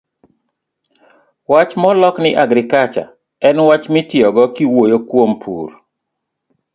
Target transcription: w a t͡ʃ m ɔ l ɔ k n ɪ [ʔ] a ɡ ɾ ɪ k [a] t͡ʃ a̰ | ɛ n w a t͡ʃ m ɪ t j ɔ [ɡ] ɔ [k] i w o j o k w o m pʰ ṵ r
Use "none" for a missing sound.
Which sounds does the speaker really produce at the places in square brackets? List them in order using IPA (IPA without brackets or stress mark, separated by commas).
ʔ, a, ɡ, k